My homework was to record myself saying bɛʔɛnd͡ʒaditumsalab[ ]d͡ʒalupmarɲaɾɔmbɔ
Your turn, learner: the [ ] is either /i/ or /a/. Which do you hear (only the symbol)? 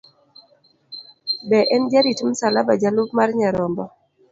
a